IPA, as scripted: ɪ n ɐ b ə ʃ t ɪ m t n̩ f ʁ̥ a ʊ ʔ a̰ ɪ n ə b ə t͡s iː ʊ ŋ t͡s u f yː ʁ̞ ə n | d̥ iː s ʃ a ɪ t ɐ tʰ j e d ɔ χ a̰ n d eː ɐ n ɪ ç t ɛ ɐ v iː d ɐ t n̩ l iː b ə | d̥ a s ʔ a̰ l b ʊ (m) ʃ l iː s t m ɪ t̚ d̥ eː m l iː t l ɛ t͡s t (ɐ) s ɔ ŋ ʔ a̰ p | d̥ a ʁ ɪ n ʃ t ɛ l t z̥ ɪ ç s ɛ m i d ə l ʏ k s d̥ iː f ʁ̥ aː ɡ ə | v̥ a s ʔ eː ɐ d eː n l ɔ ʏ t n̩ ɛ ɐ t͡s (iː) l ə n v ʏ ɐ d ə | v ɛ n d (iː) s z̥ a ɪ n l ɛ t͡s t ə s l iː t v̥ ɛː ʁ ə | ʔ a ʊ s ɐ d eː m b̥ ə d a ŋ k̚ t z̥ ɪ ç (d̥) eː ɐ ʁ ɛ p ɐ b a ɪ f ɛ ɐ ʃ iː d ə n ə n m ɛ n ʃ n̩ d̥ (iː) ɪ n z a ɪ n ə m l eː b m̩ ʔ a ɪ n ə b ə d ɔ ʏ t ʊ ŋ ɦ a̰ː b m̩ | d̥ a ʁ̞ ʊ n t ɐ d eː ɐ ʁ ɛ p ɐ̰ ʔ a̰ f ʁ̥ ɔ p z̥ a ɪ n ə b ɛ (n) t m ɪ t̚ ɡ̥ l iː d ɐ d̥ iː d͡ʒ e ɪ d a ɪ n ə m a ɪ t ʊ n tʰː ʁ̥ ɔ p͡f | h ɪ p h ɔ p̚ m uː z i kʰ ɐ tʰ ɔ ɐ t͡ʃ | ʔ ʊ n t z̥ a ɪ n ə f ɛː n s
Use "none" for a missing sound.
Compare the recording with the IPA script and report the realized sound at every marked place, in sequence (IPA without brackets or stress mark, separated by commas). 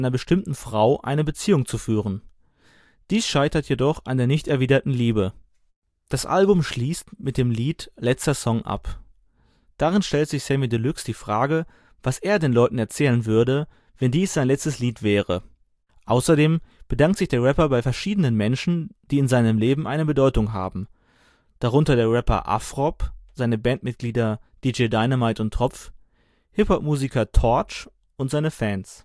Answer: m, ɐ, ɛː, iː, d̥, iː, n